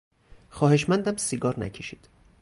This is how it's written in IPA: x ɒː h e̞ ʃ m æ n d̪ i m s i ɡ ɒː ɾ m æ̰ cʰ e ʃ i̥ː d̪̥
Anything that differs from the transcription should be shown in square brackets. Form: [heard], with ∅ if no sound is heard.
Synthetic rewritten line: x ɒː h e̞ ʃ m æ n d̪ [æ] m s i ɡ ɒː ɾ [n] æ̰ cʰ e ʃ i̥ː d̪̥

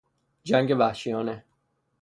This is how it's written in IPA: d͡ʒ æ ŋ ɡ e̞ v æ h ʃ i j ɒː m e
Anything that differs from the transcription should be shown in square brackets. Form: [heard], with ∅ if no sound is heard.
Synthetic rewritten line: d͡ʒ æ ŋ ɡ e̞ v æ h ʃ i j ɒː [n] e

